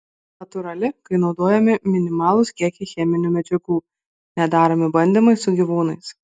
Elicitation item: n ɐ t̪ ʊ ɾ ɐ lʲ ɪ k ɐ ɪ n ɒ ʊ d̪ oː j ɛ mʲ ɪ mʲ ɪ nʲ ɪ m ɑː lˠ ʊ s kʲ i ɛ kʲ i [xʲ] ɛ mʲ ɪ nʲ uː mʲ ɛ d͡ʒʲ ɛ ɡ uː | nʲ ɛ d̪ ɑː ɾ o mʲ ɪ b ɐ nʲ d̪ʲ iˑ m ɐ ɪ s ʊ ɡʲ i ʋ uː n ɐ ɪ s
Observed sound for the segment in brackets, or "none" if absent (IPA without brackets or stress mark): xʲ